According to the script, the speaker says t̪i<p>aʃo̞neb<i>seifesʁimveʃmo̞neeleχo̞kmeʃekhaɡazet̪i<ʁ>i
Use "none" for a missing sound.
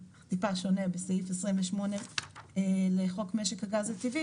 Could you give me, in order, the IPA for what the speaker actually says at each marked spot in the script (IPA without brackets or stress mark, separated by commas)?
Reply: p, e, v